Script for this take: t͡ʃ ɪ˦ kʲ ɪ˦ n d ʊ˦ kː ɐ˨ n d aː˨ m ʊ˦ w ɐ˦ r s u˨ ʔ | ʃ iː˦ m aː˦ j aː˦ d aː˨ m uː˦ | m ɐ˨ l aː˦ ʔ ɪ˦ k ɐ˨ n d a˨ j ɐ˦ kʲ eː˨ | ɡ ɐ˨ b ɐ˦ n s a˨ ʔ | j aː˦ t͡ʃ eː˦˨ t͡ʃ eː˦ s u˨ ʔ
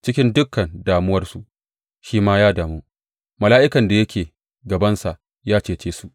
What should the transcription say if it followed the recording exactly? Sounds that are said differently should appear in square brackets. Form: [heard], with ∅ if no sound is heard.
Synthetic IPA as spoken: t͡ʃ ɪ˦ kʲ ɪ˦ n d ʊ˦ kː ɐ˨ n d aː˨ m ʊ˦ w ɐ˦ r s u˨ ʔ | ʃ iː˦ m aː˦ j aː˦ d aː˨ m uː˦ | m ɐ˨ l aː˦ ʔ ɪ˦ k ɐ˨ n d a˨ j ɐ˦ kʲ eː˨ | ɡ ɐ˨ b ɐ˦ n s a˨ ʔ | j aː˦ t͡ʃ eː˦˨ t͡ʃ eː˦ s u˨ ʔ